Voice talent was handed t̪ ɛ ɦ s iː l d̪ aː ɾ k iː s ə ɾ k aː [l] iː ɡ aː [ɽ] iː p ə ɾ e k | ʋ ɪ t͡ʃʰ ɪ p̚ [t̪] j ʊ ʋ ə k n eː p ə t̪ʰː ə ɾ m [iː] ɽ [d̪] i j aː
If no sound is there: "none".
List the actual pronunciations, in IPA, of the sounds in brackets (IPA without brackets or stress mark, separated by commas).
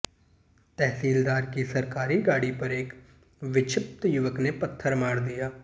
ɾ, ɽ, t̪, aː, d̪